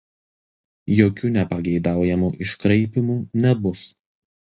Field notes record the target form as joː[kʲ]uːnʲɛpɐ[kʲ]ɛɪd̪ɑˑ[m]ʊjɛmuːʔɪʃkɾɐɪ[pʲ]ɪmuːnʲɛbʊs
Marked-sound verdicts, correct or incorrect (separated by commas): correct, incorrect, incorrect, correct